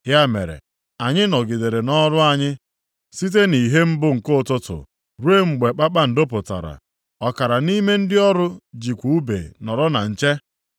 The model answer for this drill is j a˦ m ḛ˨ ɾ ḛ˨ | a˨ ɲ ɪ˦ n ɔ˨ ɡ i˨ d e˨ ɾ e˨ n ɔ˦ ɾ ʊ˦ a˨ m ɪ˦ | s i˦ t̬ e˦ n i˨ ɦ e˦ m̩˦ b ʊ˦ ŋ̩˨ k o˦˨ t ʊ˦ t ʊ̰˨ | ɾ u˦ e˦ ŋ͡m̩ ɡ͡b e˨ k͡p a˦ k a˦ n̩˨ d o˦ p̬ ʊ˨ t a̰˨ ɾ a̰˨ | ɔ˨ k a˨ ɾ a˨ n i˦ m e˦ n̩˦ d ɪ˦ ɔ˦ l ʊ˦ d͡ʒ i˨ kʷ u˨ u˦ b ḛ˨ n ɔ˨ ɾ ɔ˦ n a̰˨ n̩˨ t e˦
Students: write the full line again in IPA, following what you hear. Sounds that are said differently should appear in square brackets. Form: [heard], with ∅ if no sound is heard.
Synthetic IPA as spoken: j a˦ m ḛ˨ ɾ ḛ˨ | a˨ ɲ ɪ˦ n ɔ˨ ɡ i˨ d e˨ ɾ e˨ n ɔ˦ ɾ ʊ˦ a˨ [ɲ] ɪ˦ | s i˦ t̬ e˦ n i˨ ɦ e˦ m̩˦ b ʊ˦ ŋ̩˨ k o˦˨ t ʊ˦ t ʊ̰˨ | ɾ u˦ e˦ ŋ͡m̩ ɡ͡b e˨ k͡p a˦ [k͡p] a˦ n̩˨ d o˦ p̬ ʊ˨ t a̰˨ ɾ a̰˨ | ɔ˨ k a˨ ɾ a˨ n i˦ m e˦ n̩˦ d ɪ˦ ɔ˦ [ɾ] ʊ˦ d͡ʒ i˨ kʷ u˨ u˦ b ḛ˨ n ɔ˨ ɾ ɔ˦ n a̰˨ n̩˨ [t͡ʃ] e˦